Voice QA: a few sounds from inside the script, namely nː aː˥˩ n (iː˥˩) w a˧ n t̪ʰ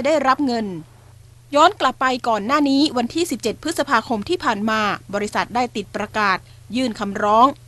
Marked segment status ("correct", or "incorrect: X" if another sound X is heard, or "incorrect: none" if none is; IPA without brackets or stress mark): incorrect: iː˦˥